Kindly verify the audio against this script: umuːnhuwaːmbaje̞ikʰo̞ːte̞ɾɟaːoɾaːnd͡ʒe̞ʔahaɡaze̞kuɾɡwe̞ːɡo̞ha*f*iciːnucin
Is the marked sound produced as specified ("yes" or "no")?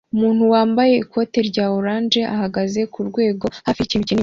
yes